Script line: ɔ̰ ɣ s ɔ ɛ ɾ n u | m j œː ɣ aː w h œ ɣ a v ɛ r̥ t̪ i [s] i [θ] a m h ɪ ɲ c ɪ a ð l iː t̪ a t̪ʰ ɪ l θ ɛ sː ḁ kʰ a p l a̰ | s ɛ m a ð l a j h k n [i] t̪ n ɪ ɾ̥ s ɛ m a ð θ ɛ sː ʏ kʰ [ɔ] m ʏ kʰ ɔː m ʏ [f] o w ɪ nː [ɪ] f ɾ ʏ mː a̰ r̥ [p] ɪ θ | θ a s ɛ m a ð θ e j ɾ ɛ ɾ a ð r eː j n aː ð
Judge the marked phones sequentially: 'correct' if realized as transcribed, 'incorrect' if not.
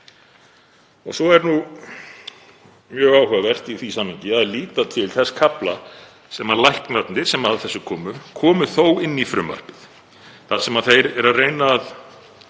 incorrect, incorrect, incorrect, incorrect, incorrect, incorrect, correct

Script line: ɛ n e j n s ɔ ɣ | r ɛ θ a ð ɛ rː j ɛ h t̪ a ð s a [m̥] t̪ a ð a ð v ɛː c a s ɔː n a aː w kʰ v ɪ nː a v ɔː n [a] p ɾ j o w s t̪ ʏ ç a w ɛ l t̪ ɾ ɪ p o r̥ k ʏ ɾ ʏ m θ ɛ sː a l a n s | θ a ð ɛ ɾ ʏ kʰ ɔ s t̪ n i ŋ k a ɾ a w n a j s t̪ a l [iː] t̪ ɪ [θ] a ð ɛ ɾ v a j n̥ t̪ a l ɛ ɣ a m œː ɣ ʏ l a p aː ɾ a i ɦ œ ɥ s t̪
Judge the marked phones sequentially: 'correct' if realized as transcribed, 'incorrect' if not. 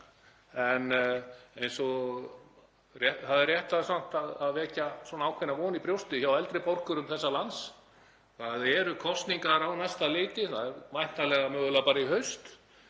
incorrect, incorrect, incorrect, correct

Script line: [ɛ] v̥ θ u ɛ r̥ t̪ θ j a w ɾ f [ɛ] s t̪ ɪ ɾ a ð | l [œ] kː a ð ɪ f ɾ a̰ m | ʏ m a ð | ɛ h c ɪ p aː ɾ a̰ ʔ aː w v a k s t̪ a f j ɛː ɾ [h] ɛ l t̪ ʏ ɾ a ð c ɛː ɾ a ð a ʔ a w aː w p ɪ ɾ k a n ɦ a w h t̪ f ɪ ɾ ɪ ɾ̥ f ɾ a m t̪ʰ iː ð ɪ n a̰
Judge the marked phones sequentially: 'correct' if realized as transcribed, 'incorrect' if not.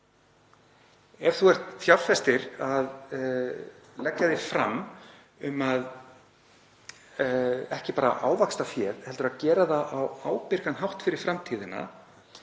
correct, correct, incorrect, correct

